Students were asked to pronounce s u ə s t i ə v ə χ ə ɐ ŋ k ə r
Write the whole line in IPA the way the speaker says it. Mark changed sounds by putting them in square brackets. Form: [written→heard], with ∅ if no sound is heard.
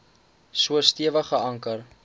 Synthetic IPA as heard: s u ə s t i ə v ə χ ə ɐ ŋ k ə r